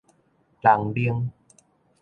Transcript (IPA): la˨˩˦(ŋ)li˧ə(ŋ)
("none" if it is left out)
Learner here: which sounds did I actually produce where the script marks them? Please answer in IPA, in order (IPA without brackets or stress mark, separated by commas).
ŋ, ŋ